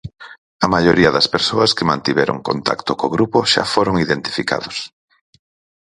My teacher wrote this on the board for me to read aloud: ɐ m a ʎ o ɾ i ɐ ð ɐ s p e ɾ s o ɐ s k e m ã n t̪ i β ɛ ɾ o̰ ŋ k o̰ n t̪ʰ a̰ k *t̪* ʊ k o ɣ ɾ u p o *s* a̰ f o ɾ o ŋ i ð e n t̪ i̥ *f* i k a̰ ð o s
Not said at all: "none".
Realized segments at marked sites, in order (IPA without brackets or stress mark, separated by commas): t̪, ʃ, f